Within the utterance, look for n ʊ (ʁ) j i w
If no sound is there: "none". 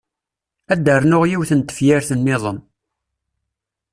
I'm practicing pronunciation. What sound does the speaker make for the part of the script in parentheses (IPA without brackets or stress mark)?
ʁ